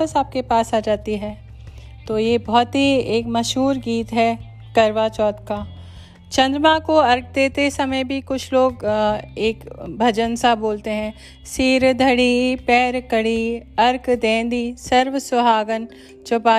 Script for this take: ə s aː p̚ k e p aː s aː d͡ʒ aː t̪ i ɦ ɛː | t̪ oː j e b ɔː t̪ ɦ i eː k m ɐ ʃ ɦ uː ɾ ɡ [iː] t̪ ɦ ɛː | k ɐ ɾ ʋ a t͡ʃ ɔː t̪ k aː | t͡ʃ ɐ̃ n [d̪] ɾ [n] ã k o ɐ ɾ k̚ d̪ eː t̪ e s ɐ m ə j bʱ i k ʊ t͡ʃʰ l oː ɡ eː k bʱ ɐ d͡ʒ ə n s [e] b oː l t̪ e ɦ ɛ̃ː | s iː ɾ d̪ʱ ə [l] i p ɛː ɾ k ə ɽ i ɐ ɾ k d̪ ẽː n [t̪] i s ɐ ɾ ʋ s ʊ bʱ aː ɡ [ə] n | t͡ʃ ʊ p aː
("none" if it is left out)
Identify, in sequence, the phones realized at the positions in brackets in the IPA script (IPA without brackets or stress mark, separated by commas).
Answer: iː, d̪, m, a, ɽ, d̪, ə